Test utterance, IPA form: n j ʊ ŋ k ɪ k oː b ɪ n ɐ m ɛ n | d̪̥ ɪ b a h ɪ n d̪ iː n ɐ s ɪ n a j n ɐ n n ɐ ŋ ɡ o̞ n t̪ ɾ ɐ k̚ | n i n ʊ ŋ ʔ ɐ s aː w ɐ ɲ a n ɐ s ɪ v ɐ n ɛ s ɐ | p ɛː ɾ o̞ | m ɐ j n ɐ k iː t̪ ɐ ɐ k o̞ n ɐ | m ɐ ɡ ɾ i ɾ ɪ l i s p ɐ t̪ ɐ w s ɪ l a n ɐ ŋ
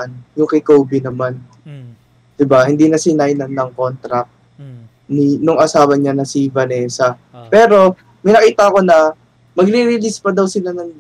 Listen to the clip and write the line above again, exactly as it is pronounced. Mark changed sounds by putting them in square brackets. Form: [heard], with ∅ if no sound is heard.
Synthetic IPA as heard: n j ʊ ŋ k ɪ k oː b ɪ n ɐ m [a] n | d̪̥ ɪ b a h ɪ n d̪ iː n ɐ s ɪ n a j n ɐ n n ɐ ŋ [k] o̞ n t̪ ɾ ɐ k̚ | n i n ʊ ŋ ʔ ɐ s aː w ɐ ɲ a n ɐ s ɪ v ɐ n ɛ s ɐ | p ɛː ɾ o̞ | m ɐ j n ɐ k iː t̪ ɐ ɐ k o̞ n ɐ | m ɐ ɡ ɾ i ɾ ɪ l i s p ɐ [d̪] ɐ w s ɪ l a n ɐ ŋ